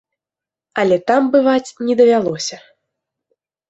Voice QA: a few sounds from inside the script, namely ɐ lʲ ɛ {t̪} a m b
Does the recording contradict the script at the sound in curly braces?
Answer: no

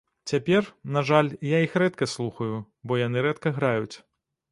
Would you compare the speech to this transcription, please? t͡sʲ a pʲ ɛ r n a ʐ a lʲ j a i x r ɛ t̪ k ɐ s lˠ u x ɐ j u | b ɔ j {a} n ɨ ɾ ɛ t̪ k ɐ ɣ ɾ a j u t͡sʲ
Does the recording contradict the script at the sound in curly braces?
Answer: no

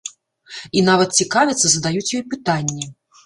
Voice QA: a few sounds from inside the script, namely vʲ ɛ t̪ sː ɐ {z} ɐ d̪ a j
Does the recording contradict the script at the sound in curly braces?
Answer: no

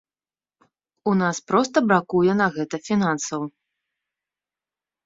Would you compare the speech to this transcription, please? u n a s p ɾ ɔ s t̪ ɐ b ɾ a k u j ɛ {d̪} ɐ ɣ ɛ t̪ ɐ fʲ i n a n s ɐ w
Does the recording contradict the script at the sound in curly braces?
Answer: yes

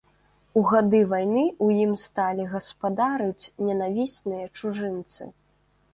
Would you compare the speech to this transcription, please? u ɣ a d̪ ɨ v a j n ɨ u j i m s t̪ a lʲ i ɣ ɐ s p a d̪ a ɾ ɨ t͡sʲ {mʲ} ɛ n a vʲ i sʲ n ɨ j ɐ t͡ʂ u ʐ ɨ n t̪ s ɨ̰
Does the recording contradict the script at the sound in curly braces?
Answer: yes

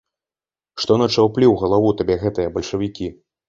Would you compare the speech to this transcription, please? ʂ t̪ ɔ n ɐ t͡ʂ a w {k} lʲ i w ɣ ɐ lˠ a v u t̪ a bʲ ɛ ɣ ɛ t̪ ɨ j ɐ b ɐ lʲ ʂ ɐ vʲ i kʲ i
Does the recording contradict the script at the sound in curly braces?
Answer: yes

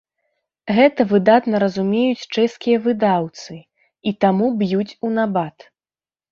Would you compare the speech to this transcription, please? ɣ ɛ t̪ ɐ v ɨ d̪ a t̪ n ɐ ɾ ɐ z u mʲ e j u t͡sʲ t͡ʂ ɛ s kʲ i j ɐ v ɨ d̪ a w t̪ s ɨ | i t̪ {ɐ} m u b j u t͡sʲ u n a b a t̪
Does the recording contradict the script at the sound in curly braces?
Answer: yes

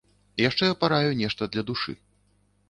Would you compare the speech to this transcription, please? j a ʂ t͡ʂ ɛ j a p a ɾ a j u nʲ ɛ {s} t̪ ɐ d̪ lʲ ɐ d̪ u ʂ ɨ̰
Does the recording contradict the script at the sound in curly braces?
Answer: yes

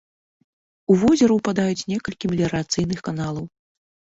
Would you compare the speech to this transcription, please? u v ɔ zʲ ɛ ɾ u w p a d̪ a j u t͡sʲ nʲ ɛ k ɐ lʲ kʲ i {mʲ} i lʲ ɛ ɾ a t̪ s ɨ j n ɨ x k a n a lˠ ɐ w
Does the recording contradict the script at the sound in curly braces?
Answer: no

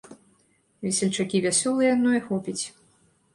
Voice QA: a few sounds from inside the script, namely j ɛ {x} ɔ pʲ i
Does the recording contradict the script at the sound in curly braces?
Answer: no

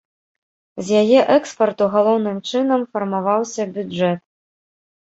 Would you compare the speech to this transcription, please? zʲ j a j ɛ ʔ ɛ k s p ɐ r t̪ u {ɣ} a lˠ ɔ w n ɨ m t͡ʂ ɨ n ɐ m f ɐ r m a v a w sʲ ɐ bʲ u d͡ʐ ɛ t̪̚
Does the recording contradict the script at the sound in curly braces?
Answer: no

